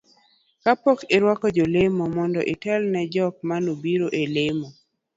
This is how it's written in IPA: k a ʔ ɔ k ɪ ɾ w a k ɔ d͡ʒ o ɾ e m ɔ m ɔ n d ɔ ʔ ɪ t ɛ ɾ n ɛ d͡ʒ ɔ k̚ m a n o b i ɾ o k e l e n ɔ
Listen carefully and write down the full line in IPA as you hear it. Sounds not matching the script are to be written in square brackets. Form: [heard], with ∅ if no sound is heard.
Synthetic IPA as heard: k a [p] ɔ k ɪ ɾ w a k ɔ d͡ʒ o [l] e m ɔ m ɔ n d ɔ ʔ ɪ t ɛ [l] n ɛ d͡ʒ ɔ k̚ m a n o b i ɾ o [ʔ] e l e [m] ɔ